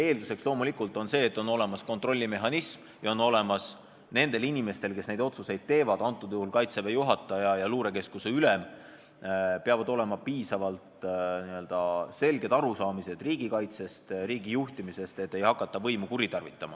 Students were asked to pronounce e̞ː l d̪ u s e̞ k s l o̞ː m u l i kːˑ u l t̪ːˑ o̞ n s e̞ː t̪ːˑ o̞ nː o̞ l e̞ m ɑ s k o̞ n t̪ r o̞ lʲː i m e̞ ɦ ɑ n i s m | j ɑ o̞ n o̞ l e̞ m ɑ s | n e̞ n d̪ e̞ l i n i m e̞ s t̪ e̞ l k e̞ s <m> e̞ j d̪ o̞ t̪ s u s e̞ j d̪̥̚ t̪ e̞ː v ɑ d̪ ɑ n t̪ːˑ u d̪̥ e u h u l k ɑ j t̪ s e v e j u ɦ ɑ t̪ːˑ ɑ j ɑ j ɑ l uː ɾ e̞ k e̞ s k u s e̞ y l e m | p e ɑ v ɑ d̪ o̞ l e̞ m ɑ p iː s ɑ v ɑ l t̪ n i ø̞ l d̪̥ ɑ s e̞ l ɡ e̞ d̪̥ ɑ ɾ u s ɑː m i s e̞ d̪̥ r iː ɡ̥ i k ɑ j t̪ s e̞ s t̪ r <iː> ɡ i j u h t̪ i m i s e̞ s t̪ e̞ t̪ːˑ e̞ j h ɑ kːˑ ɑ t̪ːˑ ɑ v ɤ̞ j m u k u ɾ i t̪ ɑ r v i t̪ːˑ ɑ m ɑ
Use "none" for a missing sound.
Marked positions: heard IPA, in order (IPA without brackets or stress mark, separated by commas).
n, iː